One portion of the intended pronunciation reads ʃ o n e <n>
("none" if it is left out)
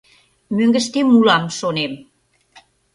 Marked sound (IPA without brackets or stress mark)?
m